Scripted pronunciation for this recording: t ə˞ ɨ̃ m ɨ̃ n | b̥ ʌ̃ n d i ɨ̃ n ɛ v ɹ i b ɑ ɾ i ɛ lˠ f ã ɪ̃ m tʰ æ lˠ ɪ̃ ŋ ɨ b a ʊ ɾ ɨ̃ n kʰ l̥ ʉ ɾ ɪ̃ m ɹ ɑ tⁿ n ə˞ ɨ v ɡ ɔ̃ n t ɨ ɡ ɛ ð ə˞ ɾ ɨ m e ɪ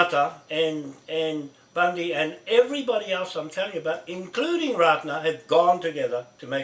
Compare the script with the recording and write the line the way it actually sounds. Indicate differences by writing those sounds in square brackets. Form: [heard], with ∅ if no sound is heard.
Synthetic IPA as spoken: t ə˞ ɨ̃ [n] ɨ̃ n | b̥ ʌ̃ n d i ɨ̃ n ɛ v ɹ i b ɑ ɾ i ɛ lˠ [s] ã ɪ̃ m tʰ [ɛ] lˠ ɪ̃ ŋ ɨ b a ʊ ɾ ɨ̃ n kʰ l̥ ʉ ɾ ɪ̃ [ŋ] ɹ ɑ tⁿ n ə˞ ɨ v ɡ ɔ̃ n t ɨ ɡ ɛ ð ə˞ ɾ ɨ m e ɪ